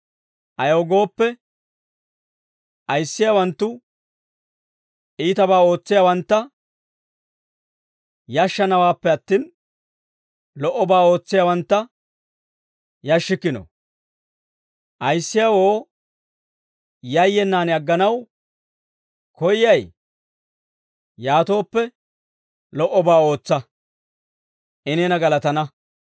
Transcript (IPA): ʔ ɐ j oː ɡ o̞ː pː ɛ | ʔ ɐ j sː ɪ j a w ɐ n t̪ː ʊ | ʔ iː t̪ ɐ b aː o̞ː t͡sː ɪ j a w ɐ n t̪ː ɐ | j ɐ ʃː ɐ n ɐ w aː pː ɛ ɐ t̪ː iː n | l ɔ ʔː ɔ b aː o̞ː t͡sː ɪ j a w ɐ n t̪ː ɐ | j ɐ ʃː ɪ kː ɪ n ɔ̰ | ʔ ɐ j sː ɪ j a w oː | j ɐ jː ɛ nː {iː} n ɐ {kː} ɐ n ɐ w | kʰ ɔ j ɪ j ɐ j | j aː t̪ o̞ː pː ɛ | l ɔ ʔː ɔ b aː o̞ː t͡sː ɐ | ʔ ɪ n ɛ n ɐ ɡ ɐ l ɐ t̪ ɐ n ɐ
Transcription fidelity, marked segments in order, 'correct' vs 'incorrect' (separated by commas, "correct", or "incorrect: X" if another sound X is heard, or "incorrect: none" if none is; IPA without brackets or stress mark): incorrect: aː, incorrect: ɡː